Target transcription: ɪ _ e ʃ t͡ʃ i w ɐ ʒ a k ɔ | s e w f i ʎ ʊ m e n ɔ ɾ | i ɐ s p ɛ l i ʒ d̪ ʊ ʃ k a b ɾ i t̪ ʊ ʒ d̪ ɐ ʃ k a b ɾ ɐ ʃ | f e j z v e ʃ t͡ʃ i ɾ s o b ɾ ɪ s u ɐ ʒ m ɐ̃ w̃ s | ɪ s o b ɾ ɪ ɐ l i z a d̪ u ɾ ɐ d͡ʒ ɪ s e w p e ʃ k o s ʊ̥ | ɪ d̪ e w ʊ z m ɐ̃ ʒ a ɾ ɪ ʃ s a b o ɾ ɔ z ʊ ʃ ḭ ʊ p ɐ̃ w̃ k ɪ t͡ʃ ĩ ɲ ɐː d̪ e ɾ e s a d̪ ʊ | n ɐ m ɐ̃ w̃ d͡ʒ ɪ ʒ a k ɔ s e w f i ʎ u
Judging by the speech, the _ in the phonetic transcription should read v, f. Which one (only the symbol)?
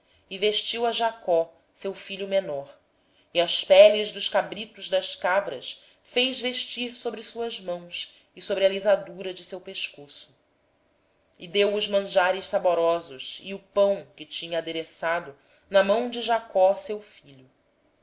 v